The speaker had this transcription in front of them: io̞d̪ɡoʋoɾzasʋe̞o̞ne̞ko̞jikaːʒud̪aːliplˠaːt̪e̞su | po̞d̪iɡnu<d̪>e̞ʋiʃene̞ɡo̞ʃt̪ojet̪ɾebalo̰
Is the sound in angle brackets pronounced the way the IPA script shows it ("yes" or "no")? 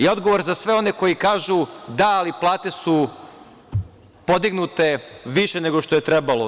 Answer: no